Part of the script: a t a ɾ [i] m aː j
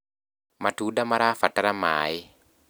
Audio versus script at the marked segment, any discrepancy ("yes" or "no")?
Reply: yes